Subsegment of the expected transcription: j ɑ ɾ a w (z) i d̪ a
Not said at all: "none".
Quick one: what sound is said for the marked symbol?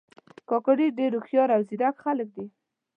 z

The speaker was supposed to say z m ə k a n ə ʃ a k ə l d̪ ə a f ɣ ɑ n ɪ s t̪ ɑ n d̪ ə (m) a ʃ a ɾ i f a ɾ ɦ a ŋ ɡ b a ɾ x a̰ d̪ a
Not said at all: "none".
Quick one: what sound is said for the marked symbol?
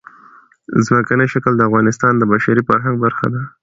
b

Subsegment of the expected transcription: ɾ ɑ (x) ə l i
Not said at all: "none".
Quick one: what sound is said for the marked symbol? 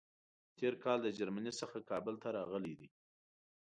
ɣ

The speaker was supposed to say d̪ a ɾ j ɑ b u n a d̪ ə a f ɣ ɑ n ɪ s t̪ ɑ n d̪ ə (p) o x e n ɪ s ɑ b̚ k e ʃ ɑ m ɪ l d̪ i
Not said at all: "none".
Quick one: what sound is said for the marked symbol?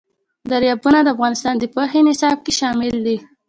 p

